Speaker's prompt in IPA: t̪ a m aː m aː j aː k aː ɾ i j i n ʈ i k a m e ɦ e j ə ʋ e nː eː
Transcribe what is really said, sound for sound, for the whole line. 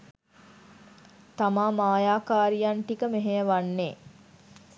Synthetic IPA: t̪ a m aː m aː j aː k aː ɾ i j a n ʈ i k ə m e ɦ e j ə ʋ a nː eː